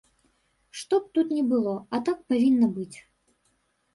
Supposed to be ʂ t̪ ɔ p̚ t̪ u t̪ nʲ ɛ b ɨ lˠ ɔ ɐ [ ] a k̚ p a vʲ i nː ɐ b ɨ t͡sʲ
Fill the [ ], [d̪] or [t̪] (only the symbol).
t̪